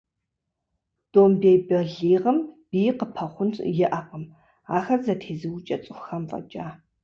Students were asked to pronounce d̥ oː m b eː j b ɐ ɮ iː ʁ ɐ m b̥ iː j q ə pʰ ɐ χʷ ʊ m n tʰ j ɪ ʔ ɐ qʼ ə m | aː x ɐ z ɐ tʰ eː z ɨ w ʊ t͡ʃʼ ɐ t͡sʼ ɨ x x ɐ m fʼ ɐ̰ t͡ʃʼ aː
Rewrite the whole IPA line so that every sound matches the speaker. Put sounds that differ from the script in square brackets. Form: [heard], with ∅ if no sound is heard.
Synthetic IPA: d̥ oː m b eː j b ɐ ɮ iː ʁ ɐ m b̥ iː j q ə pʰ ɐ χʷ ʊ [∅] n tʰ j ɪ ʔ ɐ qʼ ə m | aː x ɐ z ɐ tʰ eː z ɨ w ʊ t͡ʃʼ ɐ t͡sʼ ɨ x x ɐ m fʼ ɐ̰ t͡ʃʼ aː